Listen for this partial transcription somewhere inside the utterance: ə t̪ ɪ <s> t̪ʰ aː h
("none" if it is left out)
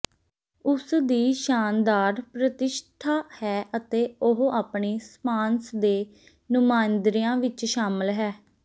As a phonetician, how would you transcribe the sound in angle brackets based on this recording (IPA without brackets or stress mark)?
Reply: ʃ